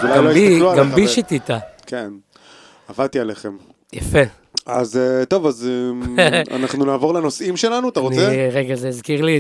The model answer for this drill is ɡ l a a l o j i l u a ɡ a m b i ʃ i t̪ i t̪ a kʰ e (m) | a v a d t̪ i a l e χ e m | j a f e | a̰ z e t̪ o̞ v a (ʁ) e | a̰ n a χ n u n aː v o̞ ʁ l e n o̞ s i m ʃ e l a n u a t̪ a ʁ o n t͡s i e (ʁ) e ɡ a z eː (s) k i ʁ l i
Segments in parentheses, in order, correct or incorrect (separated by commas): incorrect, incorrect, correct, incorrect